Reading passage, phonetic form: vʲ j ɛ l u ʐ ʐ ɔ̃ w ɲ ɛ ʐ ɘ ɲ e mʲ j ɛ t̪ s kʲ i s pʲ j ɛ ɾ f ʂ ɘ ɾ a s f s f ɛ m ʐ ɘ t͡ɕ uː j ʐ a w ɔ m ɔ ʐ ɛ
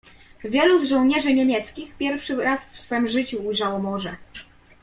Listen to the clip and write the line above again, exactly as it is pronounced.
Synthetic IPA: vʲ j ɛ l u z ʐ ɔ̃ w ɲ ɛ ʐ ɘ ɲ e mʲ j ɛ t̪ s kʲ i x pʲ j ɛ ɾ f ʂ ɘ ɾ a s f s f ɛ m ʐ ɘ t͡ɕ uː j ʐ a w ɔ m ɔ ʐ ɛ